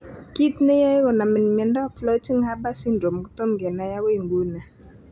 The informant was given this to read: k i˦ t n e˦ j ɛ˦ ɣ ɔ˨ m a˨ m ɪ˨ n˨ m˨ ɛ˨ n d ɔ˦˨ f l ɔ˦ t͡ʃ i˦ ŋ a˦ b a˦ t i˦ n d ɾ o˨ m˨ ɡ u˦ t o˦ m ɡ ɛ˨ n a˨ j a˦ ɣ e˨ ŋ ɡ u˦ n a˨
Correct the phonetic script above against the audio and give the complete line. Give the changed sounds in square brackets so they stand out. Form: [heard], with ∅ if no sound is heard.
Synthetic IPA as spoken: k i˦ t n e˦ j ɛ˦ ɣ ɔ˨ [n] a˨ m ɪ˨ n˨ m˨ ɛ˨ n d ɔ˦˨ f l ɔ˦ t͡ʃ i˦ ŋ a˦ b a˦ [s] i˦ n d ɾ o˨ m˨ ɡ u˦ t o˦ m ɡ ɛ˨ n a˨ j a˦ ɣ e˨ ŋ ɡ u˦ n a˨